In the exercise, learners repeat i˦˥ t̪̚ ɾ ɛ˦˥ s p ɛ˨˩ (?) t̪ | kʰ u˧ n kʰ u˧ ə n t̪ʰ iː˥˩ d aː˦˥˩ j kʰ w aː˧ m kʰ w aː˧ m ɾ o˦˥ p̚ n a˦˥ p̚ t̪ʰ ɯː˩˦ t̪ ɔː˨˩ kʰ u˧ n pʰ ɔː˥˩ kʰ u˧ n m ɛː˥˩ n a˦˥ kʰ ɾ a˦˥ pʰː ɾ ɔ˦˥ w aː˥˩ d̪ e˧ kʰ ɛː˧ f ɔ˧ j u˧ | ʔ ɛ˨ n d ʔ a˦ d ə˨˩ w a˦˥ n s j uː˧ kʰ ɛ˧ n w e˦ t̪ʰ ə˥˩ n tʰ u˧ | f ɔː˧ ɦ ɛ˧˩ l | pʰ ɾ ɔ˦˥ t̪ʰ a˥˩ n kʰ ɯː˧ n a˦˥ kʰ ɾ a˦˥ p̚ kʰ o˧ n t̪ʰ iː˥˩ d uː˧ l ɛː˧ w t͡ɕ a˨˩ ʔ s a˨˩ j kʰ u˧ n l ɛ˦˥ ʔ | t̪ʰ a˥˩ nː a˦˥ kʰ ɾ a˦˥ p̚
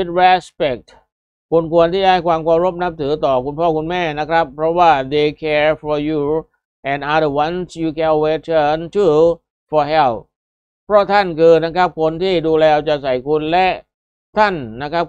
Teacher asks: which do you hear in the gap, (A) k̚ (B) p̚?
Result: A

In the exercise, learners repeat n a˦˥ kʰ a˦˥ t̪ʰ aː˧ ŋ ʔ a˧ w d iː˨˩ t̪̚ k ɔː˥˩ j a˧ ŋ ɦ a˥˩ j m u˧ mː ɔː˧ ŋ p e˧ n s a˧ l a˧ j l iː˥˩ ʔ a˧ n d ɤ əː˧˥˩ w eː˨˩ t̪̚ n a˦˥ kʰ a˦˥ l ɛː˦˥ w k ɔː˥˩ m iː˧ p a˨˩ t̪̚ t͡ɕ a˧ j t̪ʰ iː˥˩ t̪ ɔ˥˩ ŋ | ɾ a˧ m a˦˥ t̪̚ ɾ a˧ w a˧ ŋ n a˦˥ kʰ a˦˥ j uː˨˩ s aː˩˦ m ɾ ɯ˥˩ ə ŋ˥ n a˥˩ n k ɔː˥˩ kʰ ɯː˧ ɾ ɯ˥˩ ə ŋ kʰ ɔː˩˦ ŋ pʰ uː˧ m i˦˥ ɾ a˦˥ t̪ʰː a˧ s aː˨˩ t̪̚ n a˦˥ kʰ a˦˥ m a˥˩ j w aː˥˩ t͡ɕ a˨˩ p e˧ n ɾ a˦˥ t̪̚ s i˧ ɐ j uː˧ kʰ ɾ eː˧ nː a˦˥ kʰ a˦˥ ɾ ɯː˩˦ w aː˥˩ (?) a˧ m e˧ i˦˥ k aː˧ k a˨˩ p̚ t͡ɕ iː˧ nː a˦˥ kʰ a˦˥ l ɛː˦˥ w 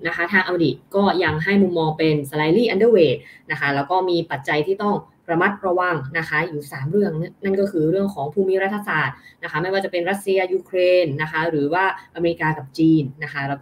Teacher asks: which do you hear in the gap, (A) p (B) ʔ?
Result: B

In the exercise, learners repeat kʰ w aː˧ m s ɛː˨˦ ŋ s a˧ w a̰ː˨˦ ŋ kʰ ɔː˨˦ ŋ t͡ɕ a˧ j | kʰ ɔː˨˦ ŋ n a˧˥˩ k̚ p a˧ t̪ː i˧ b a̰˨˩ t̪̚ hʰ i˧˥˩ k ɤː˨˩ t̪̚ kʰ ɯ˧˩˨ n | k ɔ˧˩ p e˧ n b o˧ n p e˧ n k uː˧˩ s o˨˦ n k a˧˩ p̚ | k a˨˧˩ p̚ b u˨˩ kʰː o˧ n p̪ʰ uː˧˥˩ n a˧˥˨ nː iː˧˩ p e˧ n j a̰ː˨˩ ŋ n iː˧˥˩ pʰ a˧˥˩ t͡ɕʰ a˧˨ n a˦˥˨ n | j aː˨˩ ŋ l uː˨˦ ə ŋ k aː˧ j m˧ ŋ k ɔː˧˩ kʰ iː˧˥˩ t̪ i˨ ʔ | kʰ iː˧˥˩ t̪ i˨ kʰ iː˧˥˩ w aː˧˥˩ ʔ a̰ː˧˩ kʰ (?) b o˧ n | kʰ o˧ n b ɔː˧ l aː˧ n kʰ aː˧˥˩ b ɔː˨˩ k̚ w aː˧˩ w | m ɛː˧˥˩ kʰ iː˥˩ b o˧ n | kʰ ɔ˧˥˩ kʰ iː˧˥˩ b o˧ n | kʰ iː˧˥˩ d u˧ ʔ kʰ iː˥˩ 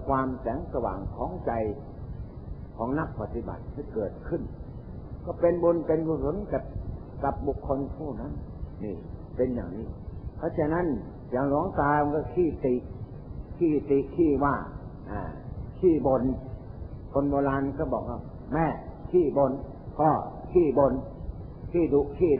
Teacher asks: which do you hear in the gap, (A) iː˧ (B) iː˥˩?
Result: B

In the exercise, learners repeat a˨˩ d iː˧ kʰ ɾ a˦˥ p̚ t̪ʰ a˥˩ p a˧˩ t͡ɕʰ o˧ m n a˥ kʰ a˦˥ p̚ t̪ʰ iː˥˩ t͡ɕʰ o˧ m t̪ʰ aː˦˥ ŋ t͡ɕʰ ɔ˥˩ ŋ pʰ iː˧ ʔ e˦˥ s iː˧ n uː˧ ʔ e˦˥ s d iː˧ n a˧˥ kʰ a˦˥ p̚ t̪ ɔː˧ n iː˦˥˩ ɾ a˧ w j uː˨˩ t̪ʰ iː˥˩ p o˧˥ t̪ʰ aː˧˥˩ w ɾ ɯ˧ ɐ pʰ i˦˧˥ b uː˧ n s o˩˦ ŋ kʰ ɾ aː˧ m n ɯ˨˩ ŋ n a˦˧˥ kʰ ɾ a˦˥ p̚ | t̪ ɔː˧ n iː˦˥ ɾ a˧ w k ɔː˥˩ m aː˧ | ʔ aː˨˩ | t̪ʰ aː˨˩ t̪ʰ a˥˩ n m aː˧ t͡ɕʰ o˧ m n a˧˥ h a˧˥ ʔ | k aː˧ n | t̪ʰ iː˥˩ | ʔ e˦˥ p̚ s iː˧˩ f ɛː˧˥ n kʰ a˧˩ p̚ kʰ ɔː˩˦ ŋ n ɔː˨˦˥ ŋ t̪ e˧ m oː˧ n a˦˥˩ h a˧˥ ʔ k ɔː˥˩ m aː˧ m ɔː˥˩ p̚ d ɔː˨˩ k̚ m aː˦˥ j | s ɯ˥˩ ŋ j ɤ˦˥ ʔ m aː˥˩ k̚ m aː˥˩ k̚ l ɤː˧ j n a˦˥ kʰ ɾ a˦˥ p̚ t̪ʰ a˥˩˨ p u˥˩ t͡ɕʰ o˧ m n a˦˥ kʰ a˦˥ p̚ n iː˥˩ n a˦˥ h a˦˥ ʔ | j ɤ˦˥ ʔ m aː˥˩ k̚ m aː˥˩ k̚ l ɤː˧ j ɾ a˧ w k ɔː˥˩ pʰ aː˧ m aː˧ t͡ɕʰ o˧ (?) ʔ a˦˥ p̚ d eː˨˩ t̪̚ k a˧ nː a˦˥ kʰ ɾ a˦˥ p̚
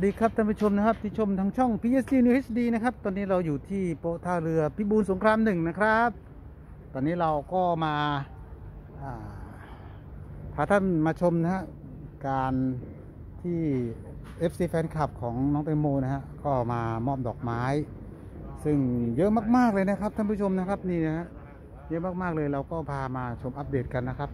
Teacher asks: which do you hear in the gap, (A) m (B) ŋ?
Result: A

